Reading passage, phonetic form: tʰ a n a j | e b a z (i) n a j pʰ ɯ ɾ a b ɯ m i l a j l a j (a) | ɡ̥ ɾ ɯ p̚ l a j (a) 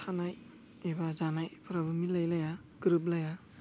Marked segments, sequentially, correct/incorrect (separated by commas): incorrect, correct, correct